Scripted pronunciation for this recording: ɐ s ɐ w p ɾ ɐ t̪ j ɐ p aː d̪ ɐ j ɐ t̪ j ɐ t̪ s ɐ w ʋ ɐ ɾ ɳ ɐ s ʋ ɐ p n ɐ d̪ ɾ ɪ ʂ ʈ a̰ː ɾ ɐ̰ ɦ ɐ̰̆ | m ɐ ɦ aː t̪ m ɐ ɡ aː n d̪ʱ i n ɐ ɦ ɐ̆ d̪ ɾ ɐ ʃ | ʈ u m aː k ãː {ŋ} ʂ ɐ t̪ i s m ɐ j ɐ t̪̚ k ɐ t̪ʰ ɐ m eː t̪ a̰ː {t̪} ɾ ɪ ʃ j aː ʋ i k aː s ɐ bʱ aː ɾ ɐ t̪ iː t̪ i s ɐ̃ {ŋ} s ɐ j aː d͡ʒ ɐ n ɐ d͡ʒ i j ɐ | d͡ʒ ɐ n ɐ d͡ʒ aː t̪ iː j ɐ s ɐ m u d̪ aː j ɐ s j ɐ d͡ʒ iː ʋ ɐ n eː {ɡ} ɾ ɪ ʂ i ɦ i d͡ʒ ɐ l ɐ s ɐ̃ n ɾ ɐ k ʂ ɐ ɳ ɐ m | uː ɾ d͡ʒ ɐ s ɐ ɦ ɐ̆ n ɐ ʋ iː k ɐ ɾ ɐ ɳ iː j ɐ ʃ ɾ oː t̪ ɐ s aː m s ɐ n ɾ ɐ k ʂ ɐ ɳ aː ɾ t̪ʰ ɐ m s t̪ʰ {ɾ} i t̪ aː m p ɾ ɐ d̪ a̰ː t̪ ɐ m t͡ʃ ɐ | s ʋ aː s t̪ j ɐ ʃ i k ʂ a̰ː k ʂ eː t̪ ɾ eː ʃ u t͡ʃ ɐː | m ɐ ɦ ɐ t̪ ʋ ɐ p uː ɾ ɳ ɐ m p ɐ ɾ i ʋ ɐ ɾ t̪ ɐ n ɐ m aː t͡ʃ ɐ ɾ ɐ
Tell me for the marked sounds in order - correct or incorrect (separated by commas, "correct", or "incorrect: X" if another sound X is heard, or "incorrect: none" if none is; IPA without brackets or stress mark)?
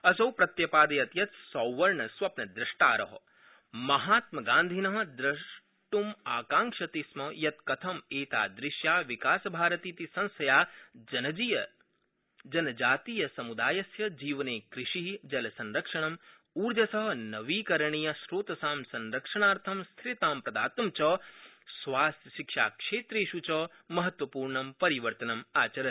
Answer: correct, incorrect: d̪, incorrect: n, incorrect: k, correct